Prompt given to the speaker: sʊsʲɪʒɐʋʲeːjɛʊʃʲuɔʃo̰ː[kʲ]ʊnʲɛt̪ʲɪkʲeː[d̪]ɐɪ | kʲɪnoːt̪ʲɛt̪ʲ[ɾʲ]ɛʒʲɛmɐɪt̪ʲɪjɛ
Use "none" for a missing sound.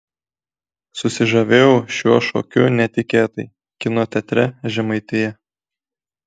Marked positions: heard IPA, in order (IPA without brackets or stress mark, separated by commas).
kʲ, t̪, ɾʲ